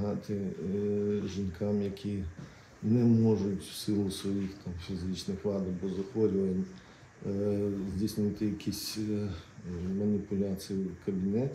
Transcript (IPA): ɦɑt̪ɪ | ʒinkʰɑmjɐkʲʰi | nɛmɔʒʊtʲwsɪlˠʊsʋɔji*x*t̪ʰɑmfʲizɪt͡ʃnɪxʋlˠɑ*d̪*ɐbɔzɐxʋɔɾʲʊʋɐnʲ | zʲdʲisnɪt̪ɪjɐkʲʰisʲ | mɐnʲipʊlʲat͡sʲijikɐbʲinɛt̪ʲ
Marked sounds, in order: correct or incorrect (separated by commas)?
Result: correct, correct